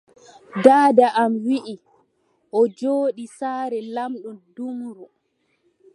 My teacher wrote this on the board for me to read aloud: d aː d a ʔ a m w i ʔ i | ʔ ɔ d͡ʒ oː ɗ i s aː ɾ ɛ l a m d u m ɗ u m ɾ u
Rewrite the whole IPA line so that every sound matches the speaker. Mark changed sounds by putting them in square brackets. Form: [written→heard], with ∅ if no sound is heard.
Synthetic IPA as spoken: d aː d a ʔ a m w i ʔ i | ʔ ɔ d͡ʒ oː ɗ i s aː ɾ ɛ l a m [d→ɗ] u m [ɗ→d] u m ɾ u